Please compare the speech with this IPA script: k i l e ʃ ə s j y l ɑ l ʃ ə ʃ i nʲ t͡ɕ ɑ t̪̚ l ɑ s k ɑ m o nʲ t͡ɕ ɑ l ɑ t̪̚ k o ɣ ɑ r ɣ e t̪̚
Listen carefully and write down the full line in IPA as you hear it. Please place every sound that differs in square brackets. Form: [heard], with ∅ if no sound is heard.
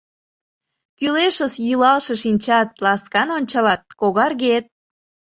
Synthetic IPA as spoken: k [y] l e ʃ ə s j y l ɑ l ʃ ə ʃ i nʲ t͡ɕ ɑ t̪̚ l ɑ s k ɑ [n] o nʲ t͡ɕ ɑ l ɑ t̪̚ k o ɣ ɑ r ɣ e t̪̚

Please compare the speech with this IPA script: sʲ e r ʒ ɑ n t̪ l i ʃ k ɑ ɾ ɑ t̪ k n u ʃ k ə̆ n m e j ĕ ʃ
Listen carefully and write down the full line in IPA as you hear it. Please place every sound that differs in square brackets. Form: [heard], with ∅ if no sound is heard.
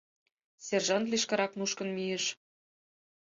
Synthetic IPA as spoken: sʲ e r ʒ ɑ n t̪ l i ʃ k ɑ ɾ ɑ [∅] k n u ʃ k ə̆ n m [i] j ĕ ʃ

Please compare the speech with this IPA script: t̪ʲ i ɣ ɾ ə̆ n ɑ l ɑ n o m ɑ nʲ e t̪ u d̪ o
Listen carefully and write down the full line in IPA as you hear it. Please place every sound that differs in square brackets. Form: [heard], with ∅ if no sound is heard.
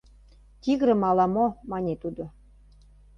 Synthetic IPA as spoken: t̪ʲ i ɣ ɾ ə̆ [m] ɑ l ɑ [m] o m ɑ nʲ e t̪ u d̪ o

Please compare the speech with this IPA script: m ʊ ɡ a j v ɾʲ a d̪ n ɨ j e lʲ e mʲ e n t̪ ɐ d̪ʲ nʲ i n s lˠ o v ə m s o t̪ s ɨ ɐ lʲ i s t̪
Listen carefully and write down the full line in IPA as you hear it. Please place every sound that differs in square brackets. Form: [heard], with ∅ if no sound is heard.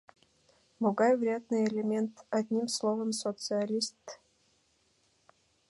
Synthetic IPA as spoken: m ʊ ɡ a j v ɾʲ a d̪ n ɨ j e lʲ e mʲ e n t̪ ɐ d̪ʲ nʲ i [m] s lˠ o v ə m s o t̪ s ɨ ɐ lʲ i s t̪

